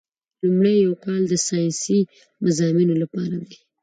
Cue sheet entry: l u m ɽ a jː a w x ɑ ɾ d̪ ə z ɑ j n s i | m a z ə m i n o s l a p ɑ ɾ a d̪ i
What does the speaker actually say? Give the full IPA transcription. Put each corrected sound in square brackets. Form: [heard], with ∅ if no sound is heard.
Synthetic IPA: l u m ɽ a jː a w [k] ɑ [l] d̪ ə [s] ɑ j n s i | m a z [ɑ] m i n o [∅] l a p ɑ ɾ a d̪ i